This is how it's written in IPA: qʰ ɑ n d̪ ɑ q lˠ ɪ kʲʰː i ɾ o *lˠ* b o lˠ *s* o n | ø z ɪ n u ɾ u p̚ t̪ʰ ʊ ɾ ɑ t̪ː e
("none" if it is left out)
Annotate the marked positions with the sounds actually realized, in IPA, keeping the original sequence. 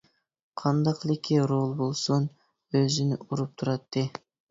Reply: lˠ, s

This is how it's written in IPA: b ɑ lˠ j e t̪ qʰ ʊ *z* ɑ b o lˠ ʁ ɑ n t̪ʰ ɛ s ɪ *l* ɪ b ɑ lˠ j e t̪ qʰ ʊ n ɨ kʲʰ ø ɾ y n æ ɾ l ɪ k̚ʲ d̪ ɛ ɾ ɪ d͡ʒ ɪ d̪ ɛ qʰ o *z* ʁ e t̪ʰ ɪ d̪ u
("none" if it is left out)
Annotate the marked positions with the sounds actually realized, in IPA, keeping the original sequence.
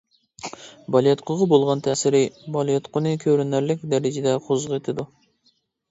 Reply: ʁ, ɾ, z

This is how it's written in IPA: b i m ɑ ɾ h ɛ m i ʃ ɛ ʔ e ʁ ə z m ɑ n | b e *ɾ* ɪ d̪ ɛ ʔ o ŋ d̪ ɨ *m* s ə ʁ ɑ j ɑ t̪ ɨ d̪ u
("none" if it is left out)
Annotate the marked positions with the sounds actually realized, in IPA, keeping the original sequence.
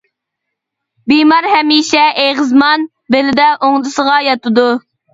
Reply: l, none

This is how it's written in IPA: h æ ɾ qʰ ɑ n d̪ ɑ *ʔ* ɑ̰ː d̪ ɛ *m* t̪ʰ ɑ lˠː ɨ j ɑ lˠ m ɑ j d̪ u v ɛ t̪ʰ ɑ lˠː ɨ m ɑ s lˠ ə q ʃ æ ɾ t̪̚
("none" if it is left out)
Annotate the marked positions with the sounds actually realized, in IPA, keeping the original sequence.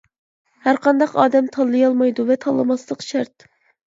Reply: q, m

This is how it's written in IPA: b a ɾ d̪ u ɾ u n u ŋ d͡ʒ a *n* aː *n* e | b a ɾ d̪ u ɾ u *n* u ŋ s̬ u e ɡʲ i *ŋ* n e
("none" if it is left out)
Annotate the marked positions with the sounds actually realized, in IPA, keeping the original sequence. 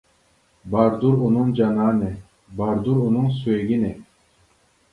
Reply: n, n, n, none

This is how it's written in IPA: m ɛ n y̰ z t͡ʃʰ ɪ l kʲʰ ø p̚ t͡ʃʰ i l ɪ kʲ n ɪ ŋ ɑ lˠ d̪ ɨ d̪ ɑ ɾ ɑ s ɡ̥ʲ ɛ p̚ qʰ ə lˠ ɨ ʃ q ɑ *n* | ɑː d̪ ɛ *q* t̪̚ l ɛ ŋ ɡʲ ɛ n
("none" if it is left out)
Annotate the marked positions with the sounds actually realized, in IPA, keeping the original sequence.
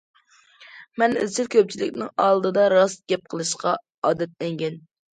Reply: none, none

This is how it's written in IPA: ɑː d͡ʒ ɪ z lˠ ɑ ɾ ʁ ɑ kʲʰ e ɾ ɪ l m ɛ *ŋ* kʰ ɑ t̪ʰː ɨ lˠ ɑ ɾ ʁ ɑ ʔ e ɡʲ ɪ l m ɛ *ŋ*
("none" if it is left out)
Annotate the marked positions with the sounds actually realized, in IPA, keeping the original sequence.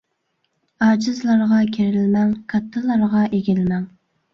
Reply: ŋ, ŋ

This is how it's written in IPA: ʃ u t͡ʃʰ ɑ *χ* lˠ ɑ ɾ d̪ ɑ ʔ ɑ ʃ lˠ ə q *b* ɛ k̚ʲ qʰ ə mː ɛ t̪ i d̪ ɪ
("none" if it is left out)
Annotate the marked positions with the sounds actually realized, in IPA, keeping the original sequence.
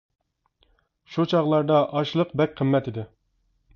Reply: ʁ, b

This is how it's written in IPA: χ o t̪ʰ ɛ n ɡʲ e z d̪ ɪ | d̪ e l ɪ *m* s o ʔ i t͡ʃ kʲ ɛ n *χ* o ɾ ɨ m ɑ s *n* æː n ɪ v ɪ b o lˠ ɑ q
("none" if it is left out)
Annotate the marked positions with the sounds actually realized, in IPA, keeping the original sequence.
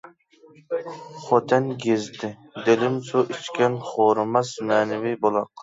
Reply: m, χ, m

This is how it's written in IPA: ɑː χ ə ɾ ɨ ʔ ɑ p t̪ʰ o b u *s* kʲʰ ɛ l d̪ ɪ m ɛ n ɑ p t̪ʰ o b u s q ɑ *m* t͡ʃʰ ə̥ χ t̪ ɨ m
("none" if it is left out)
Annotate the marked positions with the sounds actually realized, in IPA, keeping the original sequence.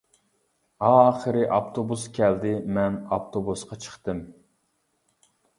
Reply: s, none

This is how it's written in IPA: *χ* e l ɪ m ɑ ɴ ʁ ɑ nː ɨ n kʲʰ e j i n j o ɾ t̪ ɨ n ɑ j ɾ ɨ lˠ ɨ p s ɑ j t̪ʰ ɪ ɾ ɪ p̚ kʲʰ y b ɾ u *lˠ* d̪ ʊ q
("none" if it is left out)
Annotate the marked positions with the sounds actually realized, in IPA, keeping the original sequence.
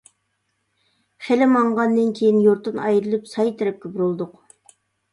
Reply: χ, lˠ

